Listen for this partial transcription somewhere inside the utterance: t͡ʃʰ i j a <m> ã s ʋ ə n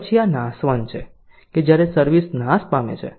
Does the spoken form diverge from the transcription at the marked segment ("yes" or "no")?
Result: yes